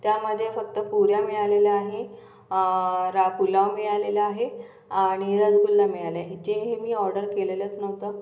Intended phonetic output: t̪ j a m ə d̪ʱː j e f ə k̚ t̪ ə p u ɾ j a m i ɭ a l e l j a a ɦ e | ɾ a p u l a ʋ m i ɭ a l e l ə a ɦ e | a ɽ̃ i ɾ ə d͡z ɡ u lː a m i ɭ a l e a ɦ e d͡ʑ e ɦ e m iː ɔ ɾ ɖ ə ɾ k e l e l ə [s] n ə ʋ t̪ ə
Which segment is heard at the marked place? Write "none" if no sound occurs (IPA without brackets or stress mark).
t͡s